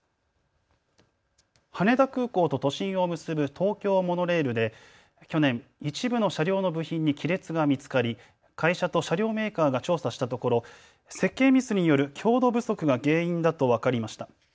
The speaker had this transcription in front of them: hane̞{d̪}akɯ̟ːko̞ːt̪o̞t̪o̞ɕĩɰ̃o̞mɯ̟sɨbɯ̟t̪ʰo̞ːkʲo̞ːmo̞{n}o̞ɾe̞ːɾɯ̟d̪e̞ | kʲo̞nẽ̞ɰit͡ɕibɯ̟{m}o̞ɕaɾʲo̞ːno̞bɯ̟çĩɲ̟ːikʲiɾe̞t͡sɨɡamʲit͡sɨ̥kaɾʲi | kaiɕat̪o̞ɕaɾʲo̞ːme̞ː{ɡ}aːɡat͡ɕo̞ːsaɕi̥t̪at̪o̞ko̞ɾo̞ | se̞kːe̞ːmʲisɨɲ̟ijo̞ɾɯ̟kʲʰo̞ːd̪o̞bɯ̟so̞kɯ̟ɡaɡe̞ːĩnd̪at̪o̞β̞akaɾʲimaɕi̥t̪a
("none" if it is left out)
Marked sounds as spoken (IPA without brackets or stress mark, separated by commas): d̪, n, n, k